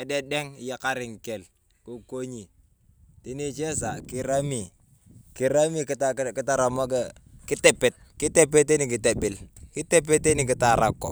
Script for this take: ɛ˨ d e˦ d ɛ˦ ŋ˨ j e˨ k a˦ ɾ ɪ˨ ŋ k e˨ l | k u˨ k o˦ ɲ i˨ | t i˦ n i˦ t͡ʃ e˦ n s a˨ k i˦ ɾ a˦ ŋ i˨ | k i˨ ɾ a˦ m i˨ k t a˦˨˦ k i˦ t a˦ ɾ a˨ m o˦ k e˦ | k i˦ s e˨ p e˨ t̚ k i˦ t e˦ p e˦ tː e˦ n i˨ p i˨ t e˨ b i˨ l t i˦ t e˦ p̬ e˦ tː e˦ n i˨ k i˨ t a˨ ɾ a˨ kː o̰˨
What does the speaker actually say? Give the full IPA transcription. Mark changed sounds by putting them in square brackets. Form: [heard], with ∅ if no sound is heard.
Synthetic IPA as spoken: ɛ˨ d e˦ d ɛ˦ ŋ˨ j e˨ k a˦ ɾ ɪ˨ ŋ k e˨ l | k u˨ k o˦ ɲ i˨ | t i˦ n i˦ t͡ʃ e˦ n s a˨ k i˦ ɾ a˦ [m] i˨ | k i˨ ɾ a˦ m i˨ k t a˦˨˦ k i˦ t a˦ ɾ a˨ m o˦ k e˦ | k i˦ [t] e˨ p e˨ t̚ k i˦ t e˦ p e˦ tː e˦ n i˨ [k] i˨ t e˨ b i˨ l [k] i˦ t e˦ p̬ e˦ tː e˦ n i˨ k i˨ t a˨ ɾ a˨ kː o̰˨